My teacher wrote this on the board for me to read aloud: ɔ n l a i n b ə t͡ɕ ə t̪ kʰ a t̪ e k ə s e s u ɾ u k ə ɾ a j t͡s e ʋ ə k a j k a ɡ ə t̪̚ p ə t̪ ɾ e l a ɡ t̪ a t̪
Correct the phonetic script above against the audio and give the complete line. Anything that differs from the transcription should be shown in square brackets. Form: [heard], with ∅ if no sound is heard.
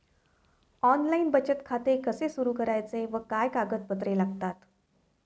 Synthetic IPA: ɔ n l a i n b ə t͡ɕ ə t̪ kʰ a t̪ e k ə s e s u ɾ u k ə ɾ a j t͡s e ʋ ə k a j k a ɡ ə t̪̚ p ə t̪ ɾ e l a ɡ t̪ a t̪